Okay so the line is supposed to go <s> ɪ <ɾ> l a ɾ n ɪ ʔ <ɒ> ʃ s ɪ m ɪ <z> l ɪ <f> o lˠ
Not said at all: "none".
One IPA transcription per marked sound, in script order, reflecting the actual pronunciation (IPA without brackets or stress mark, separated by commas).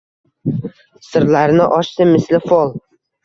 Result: s, ɾ, ɒ, s, f